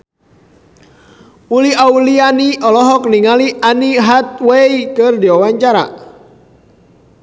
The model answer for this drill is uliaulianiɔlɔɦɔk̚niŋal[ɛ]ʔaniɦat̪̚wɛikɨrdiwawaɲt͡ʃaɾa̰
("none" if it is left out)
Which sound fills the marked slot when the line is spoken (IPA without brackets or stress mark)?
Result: i